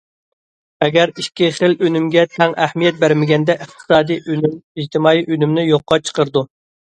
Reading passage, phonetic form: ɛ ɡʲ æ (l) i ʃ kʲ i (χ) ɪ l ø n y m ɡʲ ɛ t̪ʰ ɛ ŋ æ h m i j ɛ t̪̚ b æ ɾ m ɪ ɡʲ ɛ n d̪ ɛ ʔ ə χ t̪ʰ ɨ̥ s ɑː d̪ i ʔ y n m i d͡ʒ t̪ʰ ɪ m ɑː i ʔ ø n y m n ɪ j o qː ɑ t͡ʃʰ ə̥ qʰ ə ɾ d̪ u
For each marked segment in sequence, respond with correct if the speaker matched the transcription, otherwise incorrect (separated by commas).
incorrect, correct